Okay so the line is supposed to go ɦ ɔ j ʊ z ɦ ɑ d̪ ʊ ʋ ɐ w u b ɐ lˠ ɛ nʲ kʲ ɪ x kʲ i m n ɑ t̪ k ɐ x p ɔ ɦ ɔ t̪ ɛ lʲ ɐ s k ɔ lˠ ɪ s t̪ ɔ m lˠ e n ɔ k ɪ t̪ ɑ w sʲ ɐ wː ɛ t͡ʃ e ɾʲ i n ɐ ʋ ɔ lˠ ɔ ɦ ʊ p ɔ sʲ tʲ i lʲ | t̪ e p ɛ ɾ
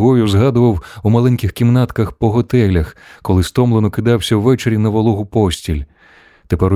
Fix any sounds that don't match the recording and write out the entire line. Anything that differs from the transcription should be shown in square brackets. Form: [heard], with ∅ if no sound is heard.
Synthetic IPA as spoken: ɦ ɔ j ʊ z ɦ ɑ d̪ ʊ ʋ ɐ w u [m] ɐ lˠ ɛ nʲ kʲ ɪ x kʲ i m n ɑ t̪ k ɐ x p ɔ ɦ ɔ t̪ ɛ lʲ ɐ [x] k ɔ lˠ ɪ s t̪ ɔ m lˠ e n ɔ k ɪ [d̪] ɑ w sʲ ɐ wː ɛ t͡ʃ e ɾʲ i n ɐ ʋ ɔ lˠ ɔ ɦ ʊ p ɔ sʲ tʲ i lʲ | t̪ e p ɛ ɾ